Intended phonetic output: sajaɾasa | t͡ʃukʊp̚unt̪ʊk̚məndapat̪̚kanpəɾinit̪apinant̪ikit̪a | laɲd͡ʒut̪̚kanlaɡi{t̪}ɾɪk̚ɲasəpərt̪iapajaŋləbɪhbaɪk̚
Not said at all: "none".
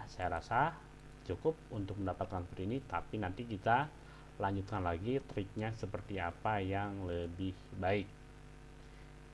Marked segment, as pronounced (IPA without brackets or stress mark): t̪